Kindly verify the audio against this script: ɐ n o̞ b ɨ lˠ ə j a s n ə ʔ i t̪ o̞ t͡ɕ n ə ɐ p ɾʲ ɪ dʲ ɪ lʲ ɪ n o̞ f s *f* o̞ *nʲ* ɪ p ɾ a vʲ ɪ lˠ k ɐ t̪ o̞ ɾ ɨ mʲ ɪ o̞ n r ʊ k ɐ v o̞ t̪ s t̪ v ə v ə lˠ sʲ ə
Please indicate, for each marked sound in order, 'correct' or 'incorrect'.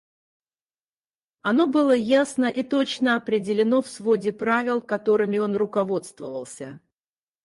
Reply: incorrect: v, incorrect: dʲ

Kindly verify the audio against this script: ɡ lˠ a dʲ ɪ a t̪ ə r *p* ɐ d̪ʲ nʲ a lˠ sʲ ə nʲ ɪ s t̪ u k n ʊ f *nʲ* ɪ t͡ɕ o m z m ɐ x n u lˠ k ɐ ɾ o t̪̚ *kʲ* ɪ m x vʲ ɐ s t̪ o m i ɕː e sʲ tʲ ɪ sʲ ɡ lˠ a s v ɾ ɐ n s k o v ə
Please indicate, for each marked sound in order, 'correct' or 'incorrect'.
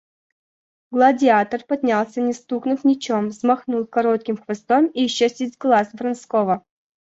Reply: correct, correct, correct

